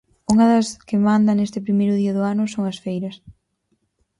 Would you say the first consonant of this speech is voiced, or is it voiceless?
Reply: voiced